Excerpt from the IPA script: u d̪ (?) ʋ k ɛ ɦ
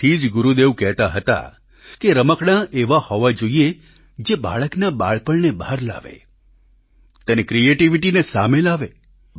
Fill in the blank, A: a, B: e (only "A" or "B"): B